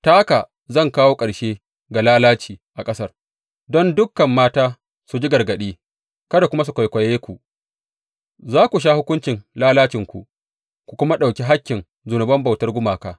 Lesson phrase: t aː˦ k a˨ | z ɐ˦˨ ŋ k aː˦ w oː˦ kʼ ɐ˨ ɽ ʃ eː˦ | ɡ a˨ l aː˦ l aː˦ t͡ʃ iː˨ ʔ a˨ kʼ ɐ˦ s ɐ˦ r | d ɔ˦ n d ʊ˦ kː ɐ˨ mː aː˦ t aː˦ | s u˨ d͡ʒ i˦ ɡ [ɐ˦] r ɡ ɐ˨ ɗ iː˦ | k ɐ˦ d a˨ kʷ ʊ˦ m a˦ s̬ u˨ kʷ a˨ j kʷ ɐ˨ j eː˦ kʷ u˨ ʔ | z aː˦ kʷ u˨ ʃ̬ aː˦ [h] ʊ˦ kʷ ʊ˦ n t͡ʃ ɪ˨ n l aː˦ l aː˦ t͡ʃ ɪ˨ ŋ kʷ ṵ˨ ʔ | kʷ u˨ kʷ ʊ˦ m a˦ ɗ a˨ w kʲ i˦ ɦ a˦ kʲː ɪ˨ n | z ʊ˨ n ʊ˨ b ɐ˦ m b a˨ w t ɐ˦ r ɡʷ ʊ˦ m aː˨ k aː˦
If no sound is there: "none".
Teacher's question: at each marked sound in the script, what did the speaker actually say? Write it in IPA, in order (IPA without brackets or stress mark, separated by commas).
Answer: ɐ˨, h